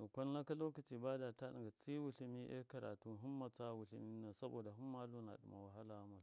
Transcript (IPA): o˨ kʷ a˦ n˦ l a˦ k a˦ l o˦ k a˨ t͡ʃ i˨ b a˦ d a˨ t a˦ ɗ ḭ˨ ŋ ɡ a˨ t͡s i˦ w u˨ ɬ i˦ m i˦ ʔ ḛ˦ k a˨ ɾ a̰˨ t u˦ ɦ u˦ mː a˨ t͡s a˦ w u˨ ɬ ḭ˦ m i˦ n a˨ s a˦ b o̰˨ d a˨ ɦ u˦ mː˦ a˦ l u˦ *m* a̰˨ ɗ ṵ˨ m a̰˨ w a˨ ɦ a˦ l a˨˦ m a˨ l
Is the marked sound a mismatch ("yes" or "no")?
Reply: yes